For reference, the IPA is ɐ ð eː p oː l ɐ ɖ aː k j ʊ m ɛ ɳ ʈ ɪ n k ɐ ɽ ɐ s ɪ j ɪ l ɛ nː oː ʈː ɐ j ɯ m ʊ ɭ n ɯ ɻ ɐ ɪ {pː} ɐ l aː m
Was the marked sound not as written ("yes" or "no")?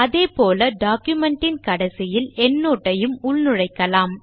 yes